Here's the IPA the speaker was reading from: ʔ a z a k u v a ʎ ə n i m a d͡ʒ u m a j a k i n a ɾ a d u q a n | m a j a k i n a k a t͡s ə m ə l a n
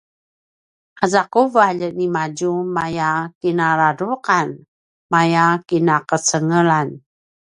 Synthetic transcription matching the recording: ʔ a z a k u v a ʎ ə n i m a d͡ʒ u m a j a k i n a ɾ a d u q a n | m a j a k i n a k ə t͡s ə ŋ ə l a n